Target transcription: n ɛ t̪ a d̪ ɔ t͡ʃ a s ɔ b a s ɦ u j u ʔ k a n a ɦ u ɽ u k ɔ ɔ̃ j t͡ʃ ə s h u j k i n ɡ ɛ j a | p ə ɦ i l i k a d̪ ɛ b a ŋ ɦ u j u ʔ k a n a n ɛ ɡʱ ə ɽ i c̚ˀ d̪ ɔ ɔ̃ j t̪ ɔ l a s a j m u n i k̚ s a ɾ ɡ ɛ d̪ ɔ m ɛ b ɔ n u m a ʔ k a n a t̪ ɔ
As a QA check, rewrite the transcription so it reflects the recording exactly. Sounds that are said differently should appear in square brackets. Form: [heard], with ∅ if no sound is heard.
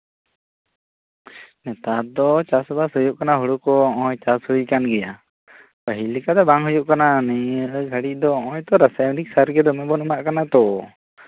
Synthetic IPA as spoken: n ɛ t̪ a d̪ ɔ t͡ʃ a s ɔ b a s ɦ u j u ʔ k a n a ɦ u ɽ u k ɔ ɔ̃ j t͡ʃ [a] s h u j k [a] n ɡ ɛ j a | p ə ɦ i l i k a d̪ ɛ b a ŋ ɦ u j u ʔ k a n a n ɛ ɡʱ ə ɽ i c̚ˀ d̪ ɔ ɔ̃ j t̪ ɔ [ɾ] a s a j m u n i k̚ s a ɾ ɡ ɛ d̪ ɔ m ɛ b ɔ n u m a ʔ k a n a t̪ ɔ